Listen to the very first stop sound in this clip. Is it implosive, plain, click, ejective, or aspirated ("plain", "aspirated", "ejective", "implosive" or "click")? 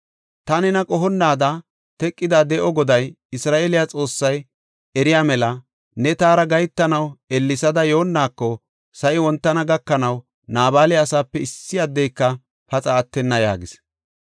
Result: plain